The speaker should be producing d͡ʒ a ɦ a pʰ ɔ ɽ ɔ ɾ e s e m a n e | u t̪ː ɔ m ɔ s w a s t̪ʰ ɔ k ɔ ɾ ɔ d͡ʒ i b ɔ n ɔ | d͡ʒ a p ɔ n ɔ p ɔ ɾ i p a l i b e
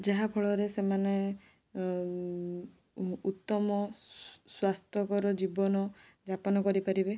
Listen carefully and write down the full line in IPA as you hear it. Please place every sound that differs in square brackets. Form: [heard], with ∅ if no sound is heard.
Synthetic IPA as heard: d͡ʒ a ɦ a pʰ ɔ [ɭ] ɔ ɾ e s e m a n e | u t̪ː ɔ m ɔ s w a s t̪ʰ ɔ k ɔ ɾ ɔ d͡ʒ i b ɔ n ɔ | d͡ʒ a p ɔ n ɔ [k] ɔ ɾ i p a [ɾ] i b e